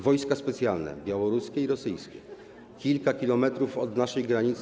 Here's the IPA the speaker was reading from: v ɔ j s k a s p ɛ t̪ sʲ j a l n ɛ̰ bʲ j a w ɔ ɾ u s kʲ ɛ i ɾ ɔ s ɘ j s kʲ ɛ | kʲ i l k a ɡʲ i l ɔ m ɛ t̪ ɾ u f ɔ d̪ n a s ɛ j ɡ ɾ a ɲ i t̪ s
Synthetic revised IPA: v ɔ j s k a s p ɛ t̪ sʲ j a l n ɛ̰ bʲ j a w ɔ ɾ u s kʲ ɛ i ɾ ɔ s ɘ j s kʲ ɛ | kʲ i l k a kʲ i l ɔ m ɛ t̪ ɾ u f ɔ d̪ n a ʂ ɛ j ɡ ɾ a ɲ i t̪ s